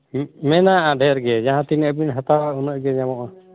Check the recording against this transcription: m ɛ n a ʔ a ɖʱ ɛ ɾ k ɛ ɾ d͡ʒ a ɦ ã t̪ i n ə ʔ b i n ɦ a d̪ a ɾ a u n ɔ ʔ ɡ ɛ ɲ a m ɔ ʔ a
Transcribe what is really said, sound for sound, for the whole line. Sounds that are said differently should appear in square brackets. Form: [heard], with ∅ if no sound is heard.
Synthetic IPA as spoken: m ɛ n a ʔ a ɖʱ ɛ ɾ [ɡ] ɛ [∅] d͡ʒ a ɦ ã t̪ i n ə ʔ b i n ɦ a [t̪] a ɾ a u n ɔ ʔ ɡ ɛ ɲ a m ɔ ʔ a

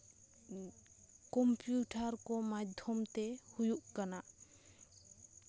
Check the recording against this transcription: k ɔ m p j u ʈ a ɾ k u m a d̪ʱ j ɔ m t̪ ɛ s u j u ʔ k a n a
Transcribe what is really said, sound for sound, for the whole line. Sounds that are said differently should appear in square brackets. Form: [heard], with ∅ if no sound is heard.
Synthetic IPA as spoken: k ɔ m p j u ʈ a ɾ k [ɔ] m a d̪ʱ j ɔ m t̪ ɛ [h] u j u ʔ k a n a

